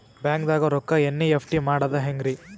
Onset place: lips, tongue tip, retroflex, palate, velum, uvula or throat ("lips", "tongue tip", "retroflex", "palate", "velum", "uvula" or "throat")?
lips